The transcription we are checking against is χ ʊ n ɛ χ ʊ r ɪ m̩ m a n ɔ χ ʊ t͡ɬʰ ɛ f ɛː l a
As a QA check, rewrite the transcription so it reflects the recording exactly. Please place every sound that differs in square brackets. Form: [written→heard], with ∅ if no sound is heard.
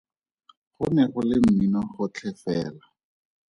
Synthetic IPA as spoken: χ ʊ n ɛ χ ʊ [r→l] ɪ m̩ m [a→i] n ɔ χ ʊ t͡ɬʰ ɛ f ɛː l a

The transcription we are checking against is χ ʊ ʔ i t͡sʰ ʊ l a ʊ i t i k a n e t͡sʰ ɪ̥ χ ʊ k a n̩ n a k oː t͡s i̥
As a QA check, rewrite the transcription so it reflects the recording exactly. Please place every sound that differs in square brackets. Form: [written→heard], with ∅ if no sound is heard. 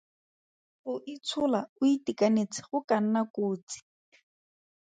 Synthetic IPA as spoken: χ ʊ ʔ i t͡sʰ ʊ l a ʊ i t i k a n e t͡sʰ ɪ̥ χ ʊ k a n̩ n a k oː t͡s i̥

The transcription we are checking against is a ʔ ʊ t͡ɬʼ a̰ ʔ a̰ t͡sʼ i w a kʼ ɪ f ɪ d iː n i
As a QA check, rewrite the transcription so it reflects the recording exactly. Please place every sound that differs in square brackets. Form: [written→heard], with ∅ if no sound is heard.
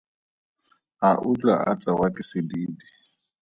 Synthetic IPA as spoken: a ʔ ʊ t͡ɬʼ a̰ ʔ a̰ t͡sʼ [i→a] w a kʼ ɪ [f→s] ɪ d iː [n→d] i

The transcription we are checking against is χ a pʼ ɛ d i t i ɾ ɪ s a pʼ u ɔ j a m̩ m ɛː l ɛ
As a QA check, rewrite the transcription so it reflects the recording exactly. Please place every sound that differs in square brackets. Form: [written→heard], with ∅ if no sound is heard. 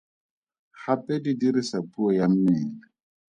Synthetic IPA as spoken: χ a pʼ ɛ d i [t→d] i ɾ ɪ s a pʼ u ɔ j a m̩ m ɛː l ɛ

